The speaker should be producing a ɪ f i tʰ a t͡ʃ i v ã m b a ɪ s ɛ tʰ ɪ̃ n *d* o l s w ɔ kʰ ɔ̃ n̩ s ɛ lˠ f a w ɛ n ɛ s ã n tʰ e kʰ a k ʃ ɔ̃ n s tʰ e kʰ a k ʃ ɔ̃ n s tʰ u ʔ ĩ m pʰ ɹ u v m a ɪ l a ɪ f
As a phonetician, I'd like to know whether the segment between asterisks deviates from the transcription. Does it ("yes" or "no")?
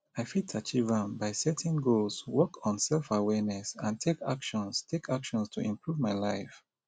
yes